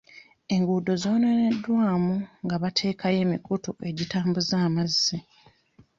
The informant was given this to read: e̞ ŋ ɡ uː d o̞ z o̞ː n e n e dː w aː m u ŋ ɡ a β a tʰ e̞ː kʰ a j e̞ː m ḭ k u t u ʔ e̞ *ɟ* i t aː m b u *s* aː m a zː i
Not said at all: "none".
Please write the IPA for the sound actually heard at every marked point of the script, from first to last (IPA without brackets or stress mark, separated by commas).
ɟ, z